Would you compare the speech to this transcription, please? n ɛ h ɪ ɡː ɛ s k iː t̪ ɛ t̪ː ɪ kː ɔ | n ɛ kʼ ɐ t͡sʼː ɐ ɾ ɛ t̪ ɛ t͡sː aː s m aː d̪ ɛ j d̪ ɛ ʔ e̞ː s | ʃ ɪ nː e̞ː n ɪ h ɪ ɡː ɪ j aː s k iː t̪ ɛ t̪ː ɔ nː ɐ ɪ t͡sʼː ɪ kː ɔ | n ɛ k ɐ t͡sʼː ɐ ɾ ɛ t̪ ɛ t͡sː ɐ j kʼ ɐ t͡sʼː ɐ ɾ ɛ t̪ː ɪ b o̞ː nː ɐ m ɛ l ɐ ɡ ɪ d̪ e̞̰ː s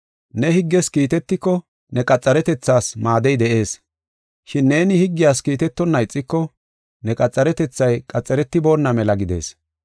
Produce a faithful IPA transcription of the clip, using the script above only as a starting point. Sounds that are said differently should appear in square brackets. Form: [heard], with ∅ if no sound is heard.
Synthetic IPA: n ɛ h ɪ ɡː ɛ s k iː t̪ ɛ t̪ː ɪ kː ɔ | n ɛ kʼ ɐ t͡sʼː ɐ ɾ ɛ t̪ ɛ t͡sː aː s m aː d̪ ɛ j d̪ ɛ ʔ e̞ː s | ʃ ɪ nː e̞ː n ɪ h ɪ ɡː ɪ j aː s k iː t̪ ɛ t̪ː ɔ nː ɐ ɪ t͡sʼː ɪ kː ɔ | n ɛ [kʼ] ɐ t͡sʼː ɐ ɾ ɛ t̪ ɛ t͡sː ɐ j kʼ ɐ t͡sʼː ɐ ɾ ɛ t̪ː ɪ b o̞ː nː ɐ m ɛ l ɐ ɡ ɪ d̪ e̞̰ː s